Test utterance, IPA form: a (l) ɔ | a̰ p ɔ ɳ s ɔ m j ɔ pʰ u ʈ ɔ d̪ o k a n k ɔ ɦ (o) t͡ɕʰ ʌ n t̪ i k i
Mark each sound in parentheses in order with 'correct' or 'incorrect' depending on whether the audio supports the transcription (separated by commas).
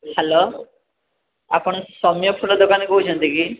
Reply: correct, incorrect